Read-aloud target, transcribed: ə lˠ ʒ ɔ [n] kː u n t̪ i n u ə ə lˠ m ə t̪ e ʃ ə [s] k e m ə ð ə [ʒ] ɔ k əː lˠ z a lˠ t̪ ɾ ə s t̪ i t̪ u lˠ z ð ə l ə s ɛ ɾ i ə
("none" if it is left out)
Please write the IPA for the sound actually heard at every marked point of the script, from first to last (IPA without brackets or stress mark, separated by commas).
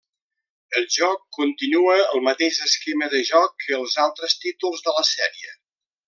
none, s, ʒ